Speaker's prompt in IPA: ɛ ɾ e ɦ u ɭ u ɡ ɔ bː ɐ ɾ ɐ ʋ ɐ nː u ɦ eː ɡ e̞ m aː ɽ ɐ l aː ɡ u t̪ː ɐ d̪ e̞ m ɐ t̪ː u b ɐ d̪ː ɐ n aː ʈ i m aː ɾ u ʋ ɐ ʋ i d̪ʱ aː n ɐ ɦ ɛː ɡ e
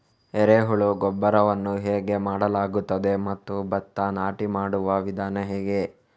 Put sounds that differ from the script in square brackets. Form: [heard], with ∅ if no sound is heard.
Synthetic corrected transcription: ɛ ɾ e ɦ u ɭ u ɡ ɔ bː ɐ ɾ ɐ ʋ ɐ nː u ɦ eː ɡ e̞ m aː ɽ ɐ l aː ɡ u t̪ː ɐ d̪ e̞ m ɐ t̪ː u b ɐ [t̪ː] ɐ n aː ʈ i m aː [ɽ] u ʋ ɐ ʋ i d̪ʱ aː n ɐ ɦ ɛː ɡ e

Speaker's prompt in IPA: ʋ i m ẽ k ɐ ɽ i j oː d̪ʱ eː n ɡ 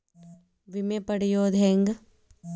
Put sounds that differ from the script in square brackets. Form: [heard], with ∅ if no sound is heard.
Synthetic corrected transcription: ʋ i m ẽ [p] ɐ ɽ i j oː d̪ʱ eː [ŋ] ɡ

